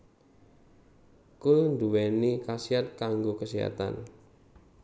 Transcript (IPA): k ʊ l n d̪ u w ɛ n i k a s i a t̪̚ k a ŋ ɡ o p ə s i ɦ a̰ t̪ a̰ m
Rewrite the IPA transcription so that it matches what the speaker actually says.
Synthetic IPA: k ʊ l n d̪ u w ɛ n i k a s i a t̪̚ k a ŋ ɡ o k ə s i ɦ a̰ t̪ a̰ n